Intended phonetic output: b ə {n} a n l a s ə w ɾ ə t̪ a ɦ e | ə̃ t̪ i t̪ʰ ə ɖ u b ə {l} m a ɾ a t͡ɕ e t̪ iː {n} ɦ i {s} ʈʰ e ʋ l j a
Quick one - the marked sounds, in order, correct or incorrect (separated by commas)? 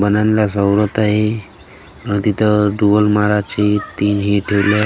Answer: correct, correct, correct, incorrect